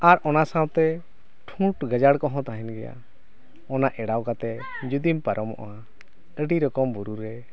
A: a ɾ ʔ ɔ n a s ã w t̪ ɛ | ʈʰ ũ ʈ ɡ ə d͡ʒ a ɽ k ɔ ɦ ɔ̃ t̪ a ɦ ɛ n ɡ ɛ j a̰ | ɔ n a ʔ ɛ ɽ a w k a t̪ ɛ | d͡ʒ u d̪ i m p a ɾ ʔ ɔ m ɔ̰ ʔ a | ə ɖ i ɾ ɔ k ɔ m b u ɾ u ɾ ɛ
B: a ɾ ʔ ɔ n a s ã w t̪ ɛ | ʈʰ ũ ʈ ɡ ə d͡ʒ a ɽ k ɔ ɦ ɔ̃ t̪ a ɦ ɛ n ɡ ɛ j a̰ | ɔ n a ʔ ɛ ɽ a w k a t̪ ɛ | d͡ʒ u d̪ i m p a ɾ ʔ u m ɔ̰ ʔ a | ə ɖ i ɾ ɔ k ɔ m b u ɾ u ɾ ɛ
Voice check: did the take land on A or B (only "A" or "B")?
A